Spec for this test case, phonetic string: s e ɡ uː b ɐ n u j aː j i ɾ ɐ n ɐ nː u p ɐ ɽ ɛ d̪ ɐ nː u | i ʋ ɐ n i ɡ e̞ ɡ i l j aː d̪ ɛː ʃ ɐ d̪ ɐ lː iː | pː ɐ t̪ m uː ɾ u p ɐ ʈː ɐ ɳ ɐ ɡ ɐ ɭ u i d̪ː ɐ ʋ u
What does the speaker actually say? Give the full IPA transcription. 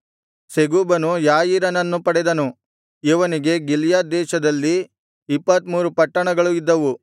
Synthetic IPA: s e ɡ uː b ɐ n u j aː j i ɾ ɐ n ɐ nː u p ɐ ɽ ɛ d̪ ɐ n u | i ʋ ɐ n i ɡ e̞ ɡ i l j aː d̪ ɛː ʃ ɐ d̪ ɐ lː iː | pː ɐ t̪ m uː ɾ u p ɐ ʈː ɐ ɳ ɐ ɡ ɐ ɭ u i d̪ː ɐ ʋ u